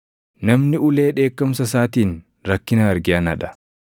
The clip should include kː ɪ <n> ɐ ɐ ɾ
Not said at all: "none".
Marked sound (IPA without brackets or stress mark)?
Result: n